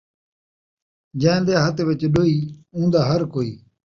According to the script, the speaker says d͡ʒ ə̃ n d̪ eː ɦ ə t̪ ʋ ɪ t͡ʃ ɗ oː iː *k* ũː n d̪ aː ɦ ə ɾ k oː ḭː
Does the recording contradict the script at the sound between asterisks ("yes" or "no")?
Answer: yes